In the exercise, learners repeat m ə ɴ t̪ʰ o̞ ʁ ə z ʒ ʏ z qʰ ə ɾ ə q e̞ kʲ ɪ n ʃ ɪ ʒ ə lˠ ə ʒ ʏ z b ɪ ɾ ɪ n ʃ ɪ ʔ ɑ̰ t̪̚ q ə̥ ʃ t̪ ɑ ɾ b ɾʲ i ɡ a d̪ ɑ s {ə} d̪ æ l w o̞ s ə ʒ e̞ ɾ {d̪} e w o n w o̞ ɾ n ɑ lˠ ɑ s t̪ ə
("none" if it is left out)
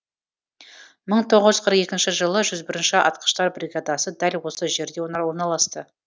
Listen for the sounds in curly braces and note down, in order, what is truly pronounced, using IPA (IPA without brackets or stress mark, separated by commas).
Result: ə, d̪